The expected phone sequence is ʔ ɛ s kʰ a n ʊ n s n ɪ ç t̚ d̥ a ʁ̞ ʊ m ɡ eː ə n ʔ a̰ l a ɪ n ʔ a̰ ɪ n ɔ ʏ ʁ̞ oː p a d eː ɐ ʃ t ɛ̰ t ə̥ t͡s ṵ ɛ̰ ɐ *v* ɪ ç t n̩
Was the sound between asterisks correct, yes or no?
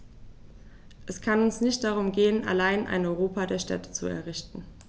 no